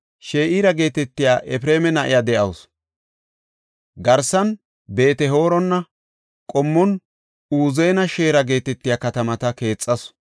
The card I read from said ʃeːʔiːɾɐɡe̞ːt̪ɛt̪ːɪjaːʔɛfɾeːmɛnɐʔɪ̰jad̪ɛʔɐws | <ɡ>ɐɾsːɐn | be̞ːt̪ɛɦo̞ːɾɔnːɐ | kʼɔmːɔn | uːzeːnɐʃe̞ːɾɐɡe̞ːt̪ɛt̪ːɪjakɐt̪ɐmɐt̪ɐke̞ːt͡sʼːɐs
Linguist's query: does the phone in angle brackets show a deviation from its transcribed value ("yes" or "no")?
no